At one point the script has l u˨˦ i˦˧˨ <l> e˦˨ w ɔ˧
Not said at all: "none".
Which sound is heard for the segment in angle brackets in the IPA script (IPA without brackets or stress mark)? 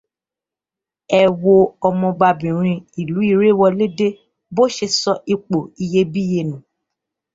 ɾ